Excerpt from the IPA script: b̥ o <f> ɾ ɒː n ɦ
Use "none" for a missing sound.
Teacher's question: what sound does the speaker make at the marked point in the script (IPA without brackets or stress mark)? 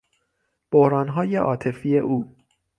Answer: h